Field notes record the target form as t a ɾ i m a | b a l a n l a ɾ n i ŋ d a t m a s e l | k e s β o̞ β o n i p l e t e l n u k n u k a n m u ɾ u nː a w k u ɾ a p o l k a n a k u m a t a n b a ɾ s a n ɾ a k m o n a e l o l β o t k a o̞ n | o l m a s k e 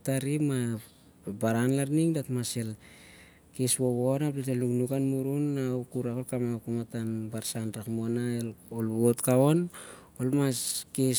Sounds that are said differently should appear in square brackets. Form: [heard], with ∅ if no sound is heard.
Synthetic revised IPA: t a ɾ i m a | b a [ɾ] a n l a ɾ n i ŋ d a t m a s e l | k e s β o̞ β o n [a] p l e t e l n u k n u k a n m u ɾ u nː a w k u ɾ a [k] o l k a [m] a k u m a t a n b a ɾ s a n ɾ a k m o n a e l o l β o t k a o̞ n | o l m a s k e